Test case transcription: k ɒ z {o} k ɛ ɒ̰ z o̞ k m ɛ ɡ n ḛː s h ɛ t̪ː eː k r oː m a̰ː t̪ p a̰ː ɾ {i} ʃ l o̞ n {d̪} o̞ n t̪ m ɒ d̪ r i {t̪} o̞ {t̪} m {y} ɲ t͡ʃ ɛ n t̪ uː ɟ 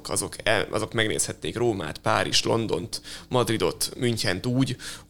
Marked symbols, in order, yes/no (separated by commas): yes, yes, yes, no, yes, yes